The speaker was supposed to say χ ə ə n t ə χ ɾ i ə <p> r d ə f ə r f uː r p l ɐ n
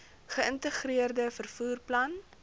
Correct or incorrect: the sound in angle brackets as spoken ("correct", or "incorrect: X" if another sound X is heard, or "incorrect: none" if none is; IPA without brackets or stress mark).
incorrect: none